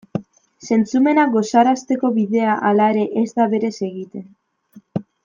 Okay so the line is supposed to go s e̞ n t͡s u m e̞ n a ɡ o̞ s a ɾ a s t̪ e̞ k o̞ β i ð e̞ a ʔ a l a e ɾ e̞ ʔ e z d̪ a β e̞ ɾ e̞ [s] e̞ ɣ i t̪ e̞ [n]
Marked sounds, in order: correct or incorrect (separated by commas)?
correct, correct